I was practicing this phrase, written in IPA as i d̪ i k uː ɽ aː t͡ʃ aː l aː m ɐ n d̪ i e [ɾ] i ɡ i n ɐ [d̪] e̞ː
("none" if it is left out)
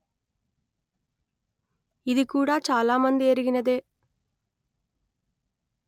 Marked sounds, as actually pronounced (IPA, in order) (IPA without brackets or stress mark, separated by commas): ɾ, d̪